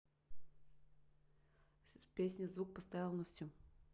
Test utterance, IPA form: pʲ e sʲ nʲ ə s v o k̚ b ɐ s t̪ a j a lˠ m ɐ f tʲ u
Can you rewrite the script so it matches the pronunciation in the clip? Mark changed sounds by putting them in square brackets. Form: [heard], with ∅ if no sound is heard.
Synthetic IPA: pʲ e sʲ nʲ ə [z] v [u] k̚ [p] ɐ s t̪ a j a lˠ [n] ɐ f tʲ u